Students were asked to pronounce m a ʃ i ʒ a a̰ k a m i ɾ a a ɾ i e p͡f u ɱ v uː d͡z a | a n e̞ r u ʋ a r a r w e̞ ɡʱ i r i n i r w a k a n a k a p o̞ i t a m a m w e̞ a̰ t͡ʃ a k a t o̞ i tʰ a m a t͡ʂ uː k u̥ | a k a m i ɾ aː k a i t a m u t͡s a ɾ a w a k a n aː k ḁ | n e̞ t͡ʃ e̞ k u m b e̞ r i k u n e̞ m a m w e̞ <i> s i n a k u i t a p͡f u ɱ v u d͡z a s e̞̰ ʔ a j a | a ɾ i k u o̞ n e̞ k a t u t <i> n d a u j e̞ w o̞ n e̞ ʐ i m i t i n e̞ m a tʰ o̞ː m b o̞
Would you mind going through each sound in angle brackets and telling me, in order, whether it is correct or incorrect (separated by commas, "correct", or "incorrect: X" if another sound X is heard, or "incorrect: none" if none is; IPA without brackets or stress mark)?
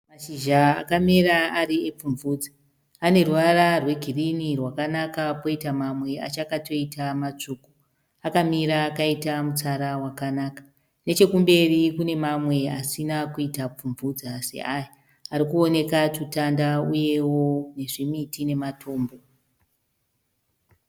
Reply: incorrect: a, incorrect: a